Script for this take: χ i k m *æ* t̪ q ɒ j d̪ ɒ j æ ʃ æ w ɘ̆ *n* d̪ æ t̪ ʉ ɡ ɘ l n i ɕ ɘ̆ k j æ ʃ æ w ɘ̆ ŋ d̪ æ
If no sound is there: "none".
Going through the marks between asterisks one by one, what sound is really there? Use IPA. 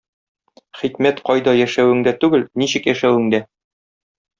æ, ŋ

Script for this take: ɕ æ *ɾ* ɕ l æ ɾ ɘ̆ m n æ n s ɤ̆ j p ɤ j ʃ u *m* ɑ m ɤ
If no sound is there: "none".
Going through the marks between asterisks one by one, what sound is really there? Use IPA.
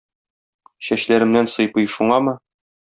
none, ɴ

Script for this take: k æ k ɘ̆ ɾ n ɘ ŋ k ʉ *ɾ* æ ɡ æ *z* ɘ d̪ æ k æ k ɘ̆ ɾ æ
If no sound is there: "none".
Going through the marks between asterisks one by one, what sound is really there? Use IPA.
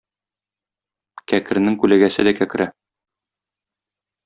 l, s

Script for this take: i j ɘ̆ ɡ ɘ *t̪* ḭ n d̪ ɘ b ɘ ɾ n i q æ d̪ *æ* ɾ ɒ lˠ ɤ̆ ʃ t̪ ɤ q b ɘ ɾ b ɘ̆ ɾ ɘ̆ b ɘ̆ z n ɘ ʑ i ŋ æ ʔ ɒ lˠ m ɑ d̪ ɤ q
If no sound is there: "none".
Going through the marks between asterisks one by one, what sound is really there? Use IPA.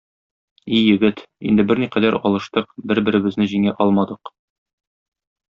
t̪, æ

